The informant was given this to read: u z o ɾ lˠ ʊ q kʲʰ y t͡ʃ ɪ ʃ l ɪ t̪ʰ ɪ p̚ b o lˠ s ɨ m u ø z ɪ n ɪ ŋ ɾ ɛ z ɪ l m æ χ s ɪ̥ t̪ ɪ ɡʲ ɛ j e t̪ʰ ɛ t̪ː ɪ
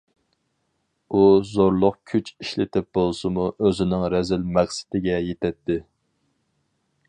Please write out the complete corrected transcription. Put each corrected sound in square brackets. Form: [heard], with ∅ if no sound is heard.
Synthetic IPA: u z o ɾ lˠ ʊ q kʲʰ y t͡ʃ [i] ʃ l ɪ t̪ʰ ɪ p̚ b o lˠ s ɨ m u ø z ɪ n ɪ ŋ ɾ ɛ z ɪ l m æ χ s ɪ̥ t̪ ɪ ɡʲ ɛ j e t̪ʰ ɛ t̪ː ɪ